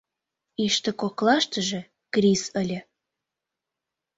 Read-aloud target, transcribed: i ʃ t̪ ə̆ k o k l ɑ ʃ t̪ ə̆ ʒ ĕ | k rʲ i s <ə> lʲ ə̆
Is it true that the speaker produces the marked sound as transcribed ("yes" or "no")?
yes